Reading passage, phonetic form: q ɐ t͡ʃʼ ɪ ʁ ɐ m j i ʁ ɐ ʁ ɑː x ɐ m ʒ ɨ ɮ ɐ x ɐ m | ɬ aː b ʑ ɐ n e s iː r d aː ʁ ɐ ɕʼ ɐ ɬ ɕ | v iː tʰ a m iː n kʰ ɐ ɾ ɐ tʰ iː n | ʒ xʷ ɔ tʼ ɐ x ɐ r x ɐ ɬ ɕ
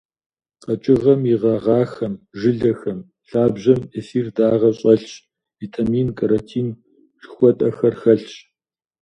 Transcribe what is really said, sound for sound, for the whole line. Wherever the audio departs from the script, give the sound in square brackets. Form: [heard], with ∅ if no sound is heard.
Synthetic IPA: q ɐ t͡ʃʼ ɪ ʁ ɐ m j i ʁ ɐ ʁ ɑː x ɐ m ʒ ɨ ɮ ɐ x ɐ m | ɬ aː b ʑ ɐ [m] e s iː r d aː ʁ ɐ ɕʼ ɐ ɬ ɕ | v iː tʰ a m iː n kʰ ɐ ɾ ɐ tʰ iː n | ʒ xʷ ɔ tʼ ɐ x ɐ r x ɐ ɬ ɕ